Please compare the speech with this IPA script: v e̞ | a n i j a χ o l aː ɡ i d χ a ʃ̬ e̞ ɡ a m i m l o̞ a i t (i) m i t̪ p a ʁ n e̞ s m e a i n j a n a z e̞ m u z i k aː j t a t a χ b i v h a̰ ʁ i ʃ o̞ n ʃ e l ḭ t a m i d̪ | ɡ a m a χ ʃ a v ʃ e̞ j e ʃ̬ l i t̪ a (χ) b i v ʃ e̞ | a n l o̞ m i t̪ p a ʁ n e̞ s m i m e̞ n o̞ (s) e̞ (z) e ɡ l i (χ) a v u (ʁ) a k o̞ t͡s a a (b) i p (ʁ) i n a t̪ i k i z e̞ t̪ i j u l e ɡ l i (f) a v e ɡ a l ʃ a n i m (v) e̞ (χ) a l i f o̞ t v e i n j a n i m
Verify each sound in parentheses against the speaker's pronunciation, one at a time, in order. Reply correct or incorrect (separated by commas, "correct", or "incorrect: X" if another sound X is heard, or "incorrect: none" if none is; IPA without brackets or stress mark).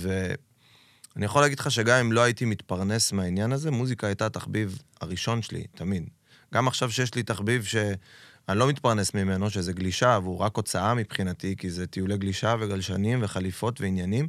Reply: correct, correct, incorrect: ʃ, correct, incorrect: ʃ, correct, incorrect: m, incorrect: χ, incorrect: ʃ, correct, correct